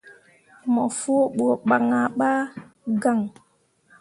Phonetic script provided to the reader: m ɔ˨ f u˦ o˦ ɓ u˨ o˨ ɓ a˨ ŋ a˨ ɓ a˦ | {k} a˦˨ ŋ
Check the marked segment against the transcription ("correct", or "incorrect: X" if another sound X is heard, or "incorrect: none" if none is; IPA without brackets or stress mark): incorrect: ɡ